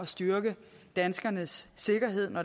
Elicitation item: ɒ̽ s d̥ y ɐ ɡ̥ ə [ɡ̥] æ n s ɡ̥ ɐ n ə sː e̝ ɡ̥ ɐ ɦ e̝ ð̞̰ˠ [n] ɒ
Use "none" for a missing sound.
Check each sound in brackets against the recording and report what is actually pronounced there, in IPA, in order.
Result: d̥, n

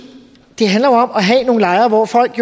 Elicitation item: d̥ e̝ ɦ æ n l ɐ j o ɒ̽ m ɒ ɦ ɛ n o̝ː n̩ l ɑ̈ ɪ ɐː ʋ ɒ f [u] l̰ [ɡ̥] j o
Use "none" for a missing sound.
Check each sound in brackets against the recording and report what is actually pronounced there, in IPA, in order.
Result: ɒ, ɡ̥

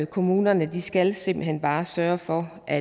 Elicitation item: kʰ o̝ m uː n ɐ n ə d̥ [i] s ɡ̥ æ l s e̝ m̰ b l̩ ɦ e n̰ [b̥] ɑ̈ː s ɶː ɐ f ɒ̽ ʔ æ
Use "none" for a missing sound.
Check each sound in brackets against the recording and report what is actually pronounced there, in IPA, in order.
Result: i, b̥

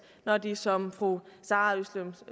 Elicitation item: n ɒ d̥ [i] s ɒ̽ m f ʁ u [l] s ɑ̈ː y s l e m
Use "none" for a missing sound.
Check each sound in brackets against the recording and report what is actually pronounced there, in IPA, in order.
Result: i, none

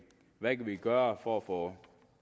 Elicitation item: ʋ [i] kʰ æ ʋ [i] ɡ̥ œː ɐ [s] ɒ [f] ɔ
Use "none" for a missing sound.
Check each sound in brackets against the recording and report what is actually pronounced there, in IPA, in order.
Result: æ, i, f, f

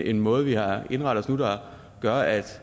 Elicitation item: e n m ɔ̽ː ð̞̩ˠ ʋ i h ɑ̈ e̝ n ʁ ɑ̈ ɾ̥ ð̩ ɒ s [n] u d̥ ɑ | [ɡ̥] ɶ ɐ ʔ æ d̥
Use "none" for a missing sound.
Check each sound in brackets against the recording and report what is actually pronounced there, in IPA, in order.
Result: n, ɡ̥

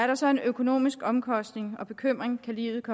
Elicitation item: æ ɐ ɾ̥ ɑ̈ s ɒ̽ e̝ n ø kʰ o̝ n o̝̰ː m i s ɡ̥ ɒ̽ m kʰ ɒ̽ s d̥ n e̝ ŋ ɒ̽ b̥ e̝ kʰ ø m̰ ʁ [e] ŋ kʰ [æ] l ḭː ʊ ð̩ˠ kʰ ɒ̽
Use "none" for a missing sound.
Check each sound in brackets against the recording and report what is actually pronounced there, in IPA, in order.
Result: e, æ

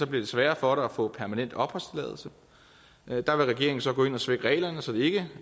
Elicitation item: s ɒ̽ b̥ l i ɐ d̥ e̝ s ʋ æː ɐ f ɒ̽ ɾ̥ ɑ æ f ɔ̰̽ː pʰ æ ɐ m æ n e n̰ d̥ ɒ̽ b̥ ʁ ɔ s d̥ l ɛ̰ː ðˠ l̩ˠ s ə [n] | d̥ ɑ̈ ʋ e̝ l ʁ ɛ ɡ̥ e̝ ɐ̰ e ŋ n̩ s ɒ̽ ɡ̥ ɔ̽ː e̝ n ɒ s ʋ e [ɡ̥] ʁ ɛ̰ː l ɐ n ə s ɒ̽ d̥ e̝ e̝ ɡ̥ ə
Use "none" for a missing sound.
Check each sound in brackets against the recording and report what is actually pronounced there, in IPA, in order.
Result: none, ɡ̥

